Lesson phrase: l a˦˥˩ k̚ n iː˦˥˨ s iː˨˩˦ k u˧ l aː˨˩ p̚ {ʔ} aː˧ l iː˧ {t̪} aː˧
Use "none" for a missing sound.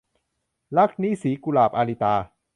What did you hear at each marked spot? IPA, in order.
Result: ʔ, t̪

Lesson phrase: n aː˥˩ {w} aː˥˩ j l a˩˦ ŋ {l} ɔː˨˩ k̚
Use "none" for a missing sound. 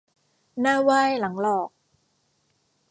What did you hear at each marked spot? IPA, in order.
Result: w, l

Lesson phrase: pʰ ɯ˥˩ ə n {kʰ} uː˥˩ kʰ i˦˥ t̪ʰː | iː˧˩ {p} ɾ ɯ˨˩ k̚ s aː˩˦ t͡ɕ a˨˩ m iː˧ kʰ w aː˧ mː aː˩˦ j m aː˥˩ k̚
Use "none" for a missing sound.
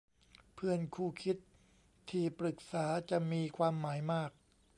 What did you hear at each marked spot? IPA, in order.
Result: kʰ, p

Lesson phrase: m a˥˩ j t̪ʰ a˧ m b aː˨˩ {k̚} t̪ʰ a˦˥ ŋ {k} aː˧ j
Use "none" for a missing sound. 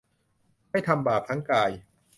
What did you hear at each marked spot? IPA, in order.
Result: p̚, k

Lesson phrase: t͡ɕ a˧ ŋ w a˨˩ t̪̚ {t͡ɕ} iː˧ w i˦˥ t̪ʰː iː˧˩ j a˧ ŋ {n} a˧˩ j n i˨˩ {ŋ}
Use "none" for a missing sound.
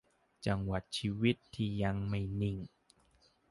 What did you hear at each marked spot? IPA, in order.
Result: t͡ɕʰ, m, ŋ

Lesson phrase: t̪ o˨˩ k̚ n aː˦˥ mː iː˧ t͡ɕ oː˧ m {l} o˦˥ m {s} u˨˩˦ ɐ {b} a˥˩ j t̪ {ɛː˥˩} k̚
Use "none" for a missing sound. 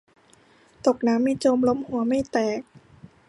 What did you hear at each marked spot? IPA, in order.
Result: l, h, m, ɛː˨˩

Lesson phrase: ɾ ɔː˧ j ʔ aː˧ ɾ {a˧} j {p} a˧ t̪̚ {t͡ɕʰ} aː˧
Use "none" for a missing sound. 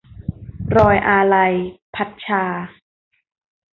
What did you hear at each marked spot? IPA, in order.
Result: a˧, pʰ, t͡ɕʰ

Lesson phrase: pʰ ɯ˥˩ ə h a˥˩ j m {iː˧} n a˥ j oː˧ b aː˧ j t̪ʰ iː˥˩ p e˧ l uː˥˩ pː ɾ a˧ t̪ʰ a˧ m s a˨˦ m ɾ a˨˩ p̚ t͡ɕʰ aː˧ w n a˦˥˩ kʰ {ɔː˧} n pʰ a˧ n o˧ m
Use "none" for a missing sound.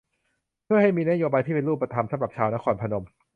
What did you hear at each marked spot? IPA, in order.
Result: iː˧, ɔː˧

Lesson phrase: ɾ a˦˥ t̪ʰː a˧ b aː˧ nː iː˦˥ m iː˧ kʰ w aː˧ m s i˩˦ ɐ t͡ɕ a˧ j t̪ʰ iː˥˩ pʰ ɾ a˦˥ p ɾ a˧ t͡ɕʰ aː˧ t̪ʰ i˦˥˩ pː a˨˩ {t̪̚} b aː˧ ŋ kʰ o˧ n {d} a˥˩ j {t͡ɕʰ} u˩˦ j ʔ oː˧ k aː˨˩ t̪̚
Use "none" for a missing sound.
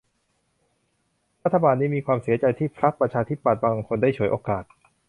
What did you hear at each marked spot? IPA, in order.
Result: t̪̚, d, t͡ɕʰ

